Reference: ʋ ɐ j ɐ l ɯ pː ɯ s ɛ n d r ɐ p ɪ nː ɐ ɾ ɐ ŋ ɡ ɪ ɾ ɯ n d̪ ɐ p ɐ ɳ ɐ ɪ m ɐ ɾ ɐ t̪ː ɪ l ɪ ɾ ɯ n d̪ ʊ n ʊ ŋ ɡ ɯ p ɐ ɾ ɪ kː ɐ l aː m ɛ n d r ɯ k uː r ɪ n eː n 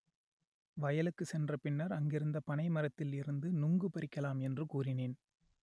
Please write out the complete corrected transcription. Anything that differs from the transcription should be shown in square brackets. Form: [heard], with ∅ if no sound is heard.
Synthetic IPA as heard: ʋ ɐ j ɐ l ɯ [kː] ɯ s ɛ n d r ɐ p ɪ nː ɐ ɾ ɐ ŋ ɡ ɪ ɾ ɯ n d̪ ɐ p ɐ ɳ ɐ ɪ m ɐ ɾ ɐ t̪ː ɪ l ɪ ɾ ɯ n d̪ [ɯ] n ʊ ŋ ɡ ɯ p ɐ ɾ ɪ kː ɐ l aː m ɛ n d r ɯ k uː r ɪ n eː n